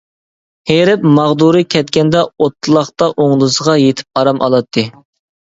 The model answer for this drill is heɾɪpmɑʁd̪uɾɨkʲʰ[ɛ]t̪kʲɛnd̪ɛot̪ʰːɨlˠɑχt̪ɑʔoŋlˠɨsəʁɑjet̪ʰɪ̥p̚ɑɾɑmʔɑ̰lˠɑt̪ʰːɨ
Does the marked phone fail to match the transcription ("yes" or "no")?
no